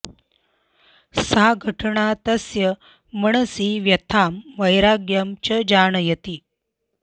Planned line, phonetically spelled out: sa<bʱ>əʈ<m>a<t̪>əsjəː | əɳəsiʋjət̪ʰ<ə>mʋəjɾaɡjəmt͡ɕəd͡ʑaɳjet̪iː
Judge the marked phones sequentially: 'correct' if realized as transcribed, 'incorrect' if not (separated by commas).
incorrect, incorrect, correct, incorrect